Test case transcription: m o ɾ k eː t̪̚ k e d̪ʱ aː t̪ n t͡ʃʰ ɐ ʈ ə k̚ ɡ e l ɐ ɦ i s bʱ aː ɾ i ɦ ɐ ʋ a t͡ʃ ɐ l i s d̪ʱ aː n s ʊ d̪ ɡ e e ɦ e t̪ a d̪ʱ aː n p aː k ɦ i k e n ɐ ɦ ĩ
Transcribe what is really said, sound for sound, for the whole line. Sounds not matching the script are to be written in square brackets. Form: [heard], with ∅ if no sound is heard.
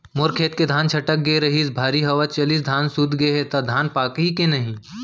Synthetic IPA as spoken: m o ɾ [kʰ] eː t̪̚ k e d̪ʱ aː [∅] n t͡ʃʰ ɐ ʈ ə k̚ ɡ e [ɾ] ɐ ɦ i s bʱ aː ɾ i ɦ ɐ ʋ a t͡ʃ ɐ l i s d̪ʱ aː n s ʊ d̪ ɡ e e ɦ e t̪ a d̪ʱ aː n p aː k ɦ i k e n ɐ ɦ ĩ